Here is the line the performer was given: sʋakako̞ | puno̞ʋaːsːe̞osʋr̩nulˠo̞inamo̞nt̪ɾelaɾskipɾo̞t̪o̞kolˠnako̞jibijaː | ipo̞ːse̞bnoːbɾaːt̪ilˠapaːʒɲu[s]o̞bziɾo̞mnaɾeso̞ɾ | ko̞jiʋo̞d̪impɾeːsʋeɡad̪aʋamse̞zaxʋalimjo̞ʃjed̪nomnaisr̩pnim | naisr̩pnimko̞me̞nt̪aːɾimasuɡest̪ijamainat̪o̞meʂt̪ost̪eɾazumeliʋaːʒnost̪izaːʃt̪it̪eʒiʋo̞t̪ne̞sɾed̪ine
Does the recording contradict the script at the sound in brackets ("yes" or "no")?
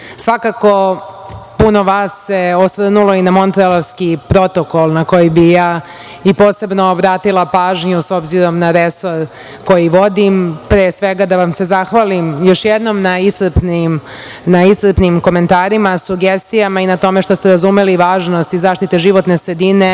no